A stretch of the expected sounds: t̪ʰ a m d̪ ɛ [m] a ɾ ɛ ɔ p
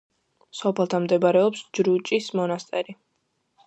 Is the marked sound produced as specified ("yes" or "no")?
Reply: no